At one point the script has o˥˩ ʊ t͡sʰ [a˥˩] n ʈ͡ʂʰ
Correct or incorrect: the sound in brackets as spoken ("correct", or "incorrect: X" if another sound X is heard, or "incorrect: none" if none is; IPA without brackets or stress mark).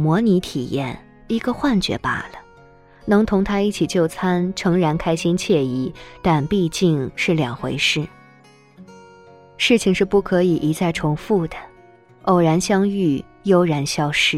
incorrect: a˥